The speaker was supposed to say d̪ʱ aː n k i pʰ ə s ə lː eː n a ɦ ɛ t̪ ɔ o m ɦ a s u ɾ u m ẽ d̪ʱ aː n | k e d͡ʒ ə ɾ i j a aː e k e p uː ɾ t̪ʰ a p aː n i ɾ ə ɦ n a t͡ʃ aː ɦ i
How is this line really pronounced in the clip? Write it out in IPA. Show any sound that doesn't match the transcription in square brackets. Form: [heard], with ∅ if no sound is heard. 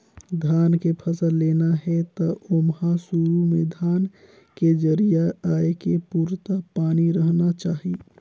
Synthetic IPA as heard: d̪ʱ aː n k [e] pʰ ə s ə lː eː n a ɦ ɛ t̪ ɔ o m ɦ a s u ɾ u m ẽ d̪ʱ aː n | k e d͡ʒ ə ɾ i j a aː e k e p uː ɾ [t̪] a p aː n i ɾ ə ɦ n a t͡ʃ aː ɦ i

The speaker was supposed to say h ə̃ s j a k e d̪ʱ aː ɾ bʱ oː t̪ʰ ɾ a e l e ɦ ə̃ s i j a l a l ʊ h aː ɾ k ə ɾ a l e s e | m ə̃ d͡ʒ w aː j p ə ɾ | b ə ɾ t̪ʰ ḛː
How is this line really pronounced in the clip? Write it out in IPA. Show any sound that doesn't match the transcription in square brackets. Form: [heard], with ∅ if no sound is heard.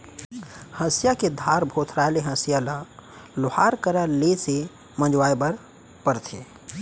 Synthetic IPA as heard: h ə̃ s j a k e d̪ʱ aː ɾ bʱ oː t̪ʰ ɾ a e l e ɦ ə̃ s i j a l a l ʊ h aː ɾ k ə ɾ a l e s e | m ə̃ d͡ʒ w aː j [b] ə ɾ | [p] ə ɾ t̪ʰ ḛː

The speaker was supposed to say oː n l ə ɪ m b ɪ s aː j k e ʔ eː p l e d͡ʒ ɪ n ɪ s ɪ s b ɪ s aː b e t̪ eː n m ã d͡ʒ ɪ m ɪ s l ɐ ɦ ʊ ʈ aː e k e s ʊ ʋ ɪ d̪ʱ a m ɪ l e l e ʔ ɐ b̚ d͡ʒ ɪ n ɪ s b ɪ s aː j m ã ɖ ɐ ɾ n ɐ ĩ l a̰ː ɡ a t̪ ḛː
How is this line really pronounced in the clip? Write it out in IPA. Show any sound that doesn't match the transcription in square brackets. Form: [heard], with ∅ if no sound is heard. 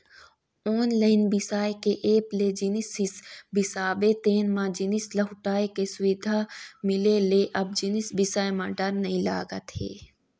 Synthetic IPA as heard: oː n l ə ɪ [n] b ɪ s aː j k e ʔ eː p l e d͡ʒ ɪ n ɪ s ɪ s b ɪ s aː b e t̪ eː n m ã d͡ʒ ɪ [n] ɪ s l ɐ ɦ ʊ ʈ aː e k e s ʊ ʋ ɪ d̪ʱ a m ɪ l e l e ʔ ɐ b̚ d͡ʒ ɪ n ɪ s b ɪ s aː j m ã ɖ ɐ ɾ n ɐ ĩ l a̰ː ɡ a t̪ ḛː

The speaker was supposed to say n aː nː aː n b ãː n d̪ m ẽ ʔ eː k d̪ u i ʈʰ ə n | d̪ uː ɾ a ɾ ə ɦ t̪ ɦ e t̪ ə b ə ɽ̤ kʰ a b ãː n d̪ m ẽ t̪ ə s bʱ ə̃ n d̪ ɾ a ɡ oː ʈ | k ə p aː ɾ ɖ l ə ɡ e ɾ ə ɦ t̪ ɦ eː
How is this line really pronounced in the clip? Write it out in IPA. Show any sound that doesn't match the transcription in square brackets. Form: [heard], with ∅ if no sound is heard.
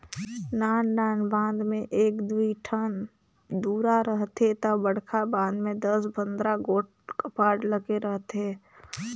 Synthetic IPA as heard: n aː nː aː n b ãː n d̪ m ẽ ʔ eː k d̪ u i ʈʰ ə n | d̪ uː ɾ a ɾ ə ɦ t̪ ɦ e t̪ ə b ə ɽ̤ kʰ a b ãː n d̪ m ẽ [d̪] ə s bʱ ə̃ n d̪ ɾ a ɡ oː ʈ | k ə p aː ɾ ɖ l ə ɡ e ɾ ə ɦ t̪ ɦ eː

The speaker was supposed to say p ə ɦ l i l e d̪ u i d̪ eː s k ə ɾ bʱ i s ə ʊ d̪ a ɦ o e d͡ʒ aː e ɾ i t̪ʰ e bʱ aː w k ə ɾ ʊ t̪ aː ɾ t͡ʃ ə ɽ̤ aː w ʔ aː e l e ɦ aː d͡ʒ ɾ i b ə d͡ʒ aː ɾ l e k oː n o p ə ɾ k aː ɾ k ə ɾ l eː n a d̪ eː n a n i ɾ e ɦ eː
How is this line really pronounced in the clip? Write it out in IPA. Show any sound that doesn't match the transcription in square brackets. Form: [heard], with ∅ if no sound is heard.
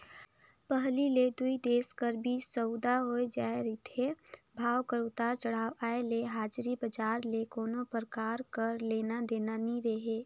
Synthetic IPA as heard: p ə ɦ l i l e d̪ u i d̪ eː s k ə ɾ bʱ i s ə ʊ d̪ a ɦ o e d͡ʒ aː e ɾ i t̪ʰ e bʱ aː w k ə ɾ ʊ t̪ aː ɾ t͡ʃ ə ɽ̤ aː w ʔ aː e l e ɦ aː d͡ʒ ɾ i b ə d͡ʒ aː ɾ l e k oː n o p ə ɾ k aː ɾ k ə ɾ l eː n a d̪ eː n a n i ɾ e ɦ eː

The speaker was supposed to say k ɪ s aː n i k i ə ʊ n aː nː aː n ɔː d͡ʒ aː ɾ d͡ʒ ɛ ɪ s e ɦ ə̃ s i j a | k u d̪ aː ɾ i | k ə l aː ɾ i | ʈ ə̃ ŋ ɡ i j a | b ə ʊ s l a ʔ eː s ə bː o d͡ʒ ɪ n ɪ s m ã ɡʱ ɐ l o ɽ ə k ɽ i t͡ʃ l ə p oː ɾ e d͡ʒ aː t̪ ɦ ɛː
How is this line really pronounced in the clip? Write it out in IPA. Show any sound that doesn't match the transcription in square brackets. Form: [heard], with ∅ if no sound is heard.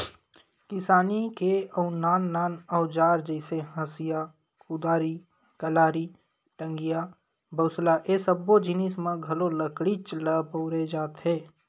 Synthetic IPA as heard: k ɪ s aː n i k [e] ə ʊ n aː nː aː n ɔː d͡ʒ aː ɾ d͡ʒ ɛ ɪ s e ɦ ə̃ s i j a | k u d̪ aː ɾ i | k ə l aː ɾ i | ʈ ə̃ ŋ ɡ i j a | b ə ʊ s l a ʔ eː s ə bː o d͡ʒ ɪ n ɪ s m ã ɡʱ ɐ l o [l] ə k ɽ i t͡ʃ l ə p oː ɾ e d͡ʒ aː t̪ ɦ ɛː

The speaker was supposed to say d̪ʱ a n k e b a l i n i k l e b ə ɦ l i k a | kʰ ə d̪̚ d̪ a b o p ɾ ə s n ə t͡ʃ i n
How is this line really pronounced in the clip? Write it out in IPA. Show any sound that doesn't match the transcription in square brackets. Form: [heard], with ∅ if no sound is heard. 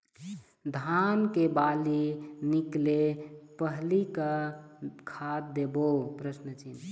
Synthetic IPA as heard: d̪ʱ a n k e b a l i n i k l e [p] ə ɦ l i k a | kʰ [a] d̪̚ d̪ [e] b o p ɾ ə s n ə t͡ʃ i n

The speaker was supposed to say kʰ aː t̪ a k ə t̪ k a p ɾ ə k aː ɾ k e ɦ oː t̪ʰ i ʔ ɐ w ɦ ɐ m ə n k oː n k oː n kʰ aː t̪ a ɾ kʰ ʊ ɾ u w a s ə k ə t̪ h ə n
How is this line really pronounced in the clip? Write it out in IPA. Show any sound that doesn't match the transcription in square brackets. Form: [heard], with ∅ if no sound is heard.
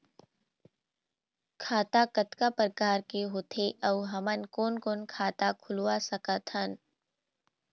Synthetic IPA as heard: kʰ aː t̪ a k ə t̪ k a p ɾ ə k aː ɾ k e ɦ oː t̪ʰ [e] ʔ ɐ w ɦ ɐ m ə n k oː n k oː n kʰ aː t̪ a [∅] kʰ ʊ [l] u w a s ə k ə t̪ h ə n

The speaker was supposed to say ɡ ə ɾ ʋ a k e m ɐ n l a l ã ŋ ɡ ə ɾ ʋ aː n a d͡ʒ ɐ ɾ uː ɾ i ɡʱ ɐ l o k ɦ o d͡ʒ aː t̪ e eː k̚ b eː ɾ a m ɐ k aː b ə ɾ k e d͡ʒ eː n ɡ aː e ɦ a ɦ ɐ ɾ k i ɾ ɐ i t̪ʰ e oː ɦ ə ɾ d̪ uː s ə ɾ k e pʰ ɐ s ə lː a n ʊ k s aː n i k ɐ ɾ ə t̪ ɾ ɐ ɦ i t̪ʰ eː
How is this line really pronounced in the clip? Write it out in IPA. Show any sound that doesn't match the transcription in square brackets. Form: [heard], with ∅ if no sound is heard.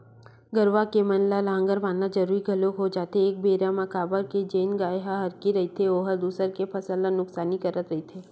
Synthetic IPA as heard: ɡ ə ɾ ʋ a k e m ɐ n l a l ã ŋ ɡ ə ɾ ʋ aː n a d͡ʒ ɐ ɾ uː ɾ i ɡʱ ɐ l o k ɦ o d͡ʒ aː t̪ e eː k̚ b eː ɾ a m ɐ k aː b ə ɾ k e d͡ʒ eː n ɡ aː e ɦ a ɦ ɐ ɾ k i ɾ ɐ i t̪ʰ e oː ɦ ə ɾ d̪ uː s ə ɾ k e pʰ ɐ s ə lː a n ʊ k s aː n i k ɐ ɾ ə t̪ ɾ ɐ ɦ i t̪ʰ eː

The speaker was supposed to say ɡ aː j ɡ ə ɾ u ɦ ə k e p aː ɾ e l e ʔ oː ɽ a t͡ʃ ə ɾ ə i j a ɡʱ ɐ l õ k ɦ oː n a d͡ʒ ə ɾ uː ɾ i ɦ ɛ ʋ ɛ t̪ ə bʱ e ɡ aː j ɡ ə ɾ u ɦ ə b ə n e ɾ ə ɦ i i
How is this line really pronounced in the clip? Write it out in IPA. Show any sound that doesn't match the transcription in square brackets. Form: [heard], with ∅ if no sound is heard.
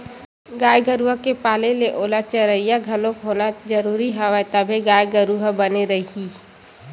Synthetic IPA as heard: ɡ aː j ɡ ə ɾ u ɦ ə k e p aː [l] e l e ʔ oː [l] a t͡ʃ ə ɾ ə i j a ɡʱ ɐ l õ k ɦ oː n a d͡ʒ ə ɾ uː ɾ i ɦ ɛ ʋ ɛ t̪ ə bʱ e ɡ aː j ɡ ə ɾ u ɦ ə b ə n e ɾ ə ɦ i i

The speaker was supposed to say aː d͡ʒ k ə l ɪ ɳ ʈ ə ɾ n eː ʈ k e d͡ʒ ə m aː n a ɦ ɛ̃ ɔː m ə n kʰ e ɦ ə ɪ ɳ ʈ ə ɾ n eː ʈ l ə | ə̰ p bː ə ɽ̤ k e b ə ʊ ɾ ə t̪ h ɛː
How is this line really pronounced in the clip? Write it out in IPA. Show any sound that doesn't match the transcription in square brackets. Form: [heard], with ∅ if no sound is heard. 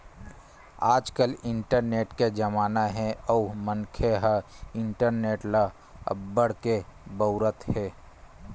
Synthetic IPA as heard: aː d͡ʒ k ə l ɪ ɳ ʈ ə ɾ n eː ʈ k e d͡ʒ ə m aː n a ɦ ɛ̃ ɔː m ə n kʰ e ɦ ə ɪ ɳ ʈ ə ɾ n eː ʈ l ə | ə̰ [b] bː ə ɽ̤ k e b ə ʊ ɾ ə t̪ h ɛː

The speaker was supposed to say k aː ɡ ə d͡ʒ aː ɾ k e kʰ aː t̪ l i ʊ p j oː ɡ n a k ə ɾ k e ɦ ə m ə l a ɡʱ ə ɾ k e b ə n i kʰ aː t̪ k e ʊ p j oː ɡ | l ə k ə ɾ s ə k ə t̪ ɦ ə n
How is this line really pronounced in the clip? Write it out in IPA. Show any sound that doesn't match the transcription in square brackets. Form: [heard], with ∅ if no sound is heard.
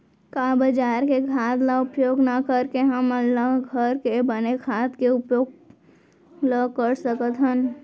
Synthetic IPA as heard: k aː [b] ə d͡ʒ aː ɾ k e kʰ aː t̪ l [a] ʊ p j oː ɡ n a k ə ɾ k e ɦ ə m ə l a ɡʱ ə ɾ k e b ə n [e] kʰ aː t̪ k e ʊ p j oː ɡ | l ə k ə ɾ s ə k ə t̪ ɦ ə n

